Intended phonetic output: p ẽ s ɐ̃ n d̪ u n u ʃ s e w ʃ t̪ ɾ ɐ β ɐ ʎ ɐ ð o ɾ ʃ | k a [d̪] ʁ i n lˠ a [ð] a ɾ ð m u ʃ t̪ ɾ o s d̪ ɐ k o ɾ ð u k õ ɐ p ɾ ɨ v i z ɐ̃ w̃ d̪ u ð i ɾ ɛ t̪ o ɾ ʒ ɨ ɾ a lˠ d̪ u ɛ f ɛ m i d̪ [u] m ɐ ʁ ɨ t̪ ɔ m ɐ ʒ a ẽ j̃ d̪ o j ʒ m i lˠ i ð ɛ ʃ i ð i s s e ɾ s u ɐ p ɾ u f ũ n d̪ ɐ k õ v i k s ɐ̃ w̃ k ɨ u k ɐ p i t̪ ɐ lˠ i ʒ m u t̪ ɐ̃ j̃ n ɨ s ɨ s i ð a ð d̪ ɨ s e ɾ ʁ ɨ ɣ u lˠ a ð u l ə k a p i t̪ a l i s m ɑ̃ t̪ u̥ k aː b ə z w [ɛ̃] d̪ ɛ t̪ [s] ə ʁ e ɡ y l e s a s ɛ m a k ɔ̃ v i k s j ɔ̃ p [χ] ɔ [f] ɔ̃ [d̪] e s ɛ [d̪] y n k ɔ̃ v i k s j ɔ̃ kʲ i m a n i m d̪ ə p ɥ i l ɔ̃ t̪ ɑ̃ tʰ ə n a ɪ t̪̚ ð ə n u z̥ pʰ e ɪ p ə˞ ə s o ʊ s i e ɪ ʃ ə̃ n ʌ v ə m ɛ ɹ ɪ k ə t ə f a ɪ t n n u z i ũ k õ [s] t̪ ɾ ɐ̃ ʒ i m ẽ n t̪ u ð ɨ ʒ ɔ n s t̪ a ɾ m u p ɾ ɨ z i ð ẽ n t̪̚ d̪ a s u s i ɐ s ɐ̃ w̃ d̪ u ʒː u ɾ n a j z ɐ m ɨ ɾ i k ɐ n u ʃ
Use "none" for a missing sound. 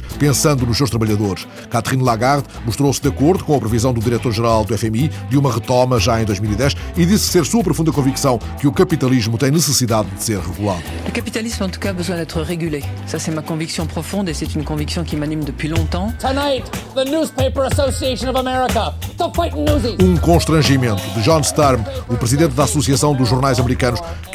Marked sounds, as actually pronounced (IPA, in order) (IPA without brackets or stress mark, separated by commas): t̪, ɣ, u, ɛ̃, χ, χ, f, d̪, t̪, ʃ